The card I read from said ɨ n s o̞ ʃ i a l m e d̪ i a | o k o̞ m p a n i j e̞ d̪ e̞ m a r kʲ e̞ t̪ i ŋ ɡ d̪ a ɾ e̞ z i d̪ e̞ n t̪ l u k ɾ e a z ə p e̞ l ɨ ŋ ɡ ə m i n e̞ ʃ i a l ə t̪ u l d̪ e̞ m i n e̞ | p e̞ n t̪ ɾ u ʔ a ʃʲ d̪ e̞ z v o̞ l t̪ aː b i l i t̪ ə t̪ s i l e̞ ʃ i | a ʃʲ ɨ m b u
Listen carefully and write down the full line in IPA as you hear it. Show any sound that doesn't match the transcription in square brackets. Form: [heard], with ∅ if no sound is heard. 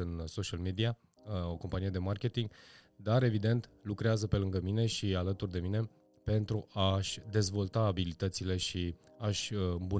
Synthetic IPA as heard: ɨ n s o̞ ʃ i a l m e d̪ i a | o k o̞ m p a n i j e̞ d̪ e̞ m a r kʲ e̞ t̪ i ŋ ɡ d̪ a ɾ e̞ [v] i d̪ e̞ n t̪ l u k ɾ e a z ə p e̞ l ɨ ŋ ɡ ə m i n e̞ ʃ i a l ə t̪ u [r] d̪ e̞ m i n e̞ | p e̞ n t̪ ɾ u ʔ a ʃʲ d̪ e̞ z v o̞ l t̪ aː b i l i t̪ ə t̪ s i l e̞ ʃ i | a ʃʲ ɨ m b u